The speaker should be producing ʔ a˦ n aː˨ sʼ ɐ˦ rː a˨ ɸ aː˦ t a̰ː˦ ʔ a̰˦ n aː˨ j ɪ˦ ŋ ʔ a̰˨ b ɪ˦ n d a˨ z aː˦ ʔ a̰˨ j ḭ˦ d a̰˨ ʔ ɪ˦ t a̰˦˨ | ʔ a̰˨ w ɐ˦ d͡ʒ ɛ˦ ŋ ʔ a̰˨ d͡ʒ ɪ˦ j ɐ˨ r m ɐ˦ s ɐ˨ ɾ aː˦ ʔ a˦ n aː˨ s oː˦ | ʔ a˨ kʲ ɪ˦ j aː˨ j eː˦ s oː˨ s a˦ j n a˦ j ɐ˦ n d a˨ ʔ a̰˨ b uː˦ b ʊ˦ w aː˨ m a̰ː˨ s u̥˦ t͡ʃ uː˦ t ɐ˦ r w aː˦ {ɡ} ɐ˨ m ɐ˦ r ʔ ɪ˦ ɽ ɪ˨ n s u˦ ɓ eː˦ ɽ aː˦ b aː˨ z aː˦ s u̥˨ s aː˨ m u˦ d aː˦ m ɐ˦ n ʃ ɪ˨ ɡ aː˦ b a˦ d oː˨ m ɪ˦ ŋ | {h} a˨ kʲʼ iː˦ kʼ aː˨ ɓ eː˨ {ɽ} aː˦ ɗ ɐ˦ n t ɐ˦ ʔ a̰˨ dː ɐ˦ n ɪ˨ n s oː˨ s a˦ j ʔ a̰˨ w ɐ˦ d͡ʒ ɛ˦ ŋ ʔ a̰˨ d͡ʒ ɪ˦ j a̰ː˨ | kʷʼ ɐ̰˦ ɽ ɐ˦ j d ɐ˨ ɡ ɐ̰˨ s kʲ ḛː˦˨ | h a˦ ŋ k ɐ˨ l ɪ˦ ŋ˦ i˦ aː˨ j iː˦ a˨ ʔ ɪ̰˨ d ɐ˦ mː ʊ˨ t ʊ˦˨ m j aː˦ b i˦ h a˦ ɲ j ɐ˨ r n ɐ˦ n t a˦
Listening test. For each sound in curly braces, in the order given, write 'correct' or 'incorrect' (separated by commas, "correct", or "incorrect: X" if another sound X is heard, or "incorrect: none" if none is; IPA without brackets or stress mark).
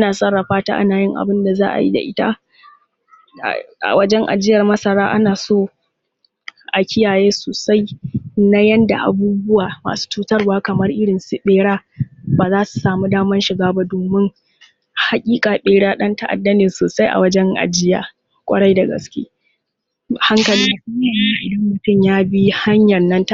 incorrect: k, correct, correct